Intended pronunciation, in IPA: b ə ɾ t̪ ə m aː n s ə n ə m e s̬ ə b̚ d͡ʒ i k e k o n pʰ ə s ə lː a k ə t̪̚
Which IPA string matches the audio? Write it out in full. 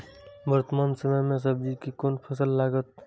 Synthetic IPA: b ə ɾ t̪ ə m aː n s ə m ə m e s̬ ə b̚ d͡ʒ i k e k o n pʰ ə s ə lː a ɡ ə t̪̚